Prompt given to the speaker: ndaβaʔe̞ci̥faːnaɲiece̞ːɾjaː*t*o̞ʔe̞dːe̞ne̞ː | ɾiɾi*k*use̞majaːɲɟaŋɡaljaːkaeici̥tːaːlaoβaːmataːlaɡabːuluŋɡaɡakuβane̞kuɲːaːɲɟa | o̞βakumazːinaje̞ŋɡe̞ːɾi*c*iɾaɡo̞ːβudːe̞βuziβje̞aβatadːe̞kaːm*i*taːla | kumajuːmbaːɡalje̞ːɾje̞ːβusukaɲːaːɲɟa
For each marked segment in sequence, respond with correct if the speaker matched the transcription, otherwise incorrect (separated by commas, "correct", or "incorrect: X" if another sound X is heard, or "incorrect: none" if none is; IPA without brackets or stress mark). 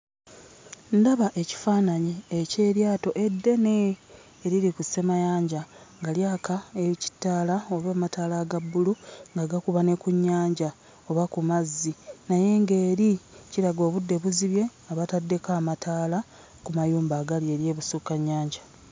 correct, correct, correct, incorrect: a